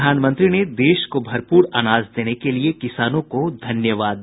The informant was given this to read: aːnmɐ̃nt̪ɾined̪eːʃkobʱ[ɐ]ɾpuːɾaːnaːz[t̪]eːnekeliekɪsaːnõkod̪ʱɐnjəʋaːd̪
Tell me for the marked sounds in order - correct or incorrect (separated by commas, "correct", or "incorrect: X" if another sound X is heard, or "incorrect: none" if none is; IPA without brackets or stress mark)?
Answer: correct, incorrect: d̪